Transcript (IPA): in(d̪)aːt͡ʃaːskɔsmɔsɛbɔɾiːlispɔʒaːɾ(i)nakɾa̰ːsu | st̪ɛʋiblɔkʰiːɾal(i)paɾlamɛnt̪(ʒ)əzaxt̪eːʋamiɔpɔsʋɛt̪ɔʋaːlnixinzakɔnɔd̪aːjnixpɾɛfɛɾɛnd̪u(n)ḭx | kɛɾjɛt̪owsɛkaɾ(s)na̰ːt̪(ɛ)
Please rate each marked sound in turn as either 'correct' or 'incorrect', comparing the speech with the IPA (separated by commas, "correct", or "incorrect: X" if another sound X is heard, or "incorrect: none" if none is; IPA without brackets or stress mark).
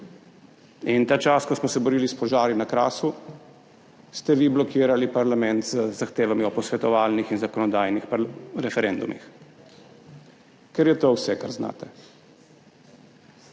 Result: incorrect: t̪, correct, correct, incorrect: z, incorrect: m, incorrect: z, correct